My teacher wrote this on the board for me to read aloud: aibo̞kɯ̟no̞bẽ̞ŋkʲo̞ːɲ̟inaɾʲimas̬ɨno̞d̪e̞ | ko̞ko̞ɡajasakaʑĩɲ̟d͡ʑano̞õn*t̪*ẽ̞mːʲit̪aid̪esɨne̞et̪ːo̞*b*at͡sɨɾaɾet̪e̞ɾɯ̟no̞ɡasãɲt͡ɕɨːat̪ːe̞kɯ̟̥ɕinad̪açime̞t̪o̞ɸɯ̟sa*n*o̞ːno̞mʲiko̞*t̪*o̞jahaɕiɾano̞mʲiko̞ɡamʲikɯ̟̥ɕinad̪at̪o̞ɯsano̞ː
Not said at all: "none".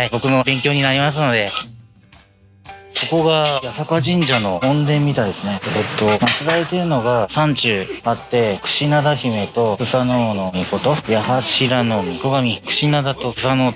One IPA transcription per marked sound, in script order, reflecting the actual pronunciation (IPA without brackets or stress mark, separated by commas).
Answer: d̪, m, n, t̪